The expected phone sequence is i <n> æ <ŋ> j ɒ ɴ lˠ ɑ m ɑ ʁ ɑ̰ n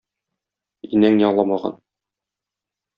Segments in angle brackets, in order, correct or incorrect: correct, correct

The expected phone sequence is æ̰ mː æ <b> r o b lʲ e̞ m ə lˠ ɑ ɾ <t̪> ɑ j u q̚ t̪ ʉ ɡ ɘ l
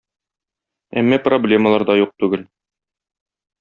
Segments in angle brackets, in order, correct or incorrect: incorrect: p, incorrect: d̪

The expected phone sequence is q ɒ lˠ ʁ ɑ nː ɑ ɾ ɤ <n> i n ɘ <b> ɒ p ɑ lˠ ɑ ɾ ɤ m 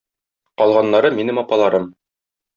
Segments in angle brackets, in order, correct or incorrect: incorrect: m, incorrect: m

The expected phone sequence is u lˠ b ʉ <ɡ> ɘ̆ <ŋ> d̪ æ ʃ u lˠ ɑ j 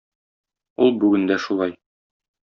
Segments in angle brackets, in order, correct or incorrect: correct, incorrect: n

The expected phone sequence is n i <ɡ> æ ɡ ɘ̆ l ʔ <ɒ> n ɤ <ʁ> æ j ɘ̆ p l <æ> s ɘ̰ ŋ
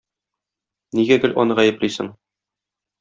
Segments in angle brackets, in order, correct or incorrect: correct, correct, correct, incorrect: i

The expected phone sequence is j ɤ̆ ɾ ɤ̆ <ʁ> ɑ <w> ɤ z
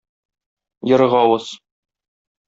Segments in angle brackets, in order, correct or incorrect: correct, correct

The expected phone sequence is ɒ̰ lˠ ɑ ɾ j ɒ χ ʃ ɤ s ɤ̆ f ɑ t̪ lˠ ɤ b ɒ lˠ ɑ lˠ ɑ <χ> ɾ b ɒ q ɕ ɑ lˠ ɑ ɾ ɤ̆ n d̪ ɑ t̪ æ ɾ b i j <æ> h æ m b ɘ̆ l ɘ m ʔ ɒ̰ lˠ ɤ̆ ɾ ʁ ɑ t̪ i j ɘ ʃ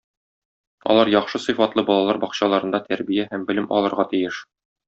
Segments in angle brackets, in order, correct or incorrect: incorrect: none, correct

